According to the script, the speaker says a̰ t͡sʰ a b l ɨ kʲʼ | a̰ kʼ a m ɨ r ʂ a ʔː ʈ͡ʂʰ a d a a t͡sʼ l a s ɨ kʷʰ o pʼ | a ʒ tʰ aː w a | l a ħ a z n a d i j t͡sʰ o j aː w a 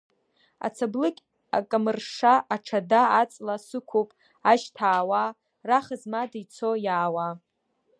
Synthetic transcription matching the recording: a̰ t͡sʰ a b l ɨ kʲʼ | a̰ kʼ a m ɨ r ʂ a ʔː ʈ͡ʂʰ a d a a t͡sʼ l a s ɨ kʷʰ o pʼ | a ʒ tʰ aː w a | r a χ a z m a d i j t͡sʰ o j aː w a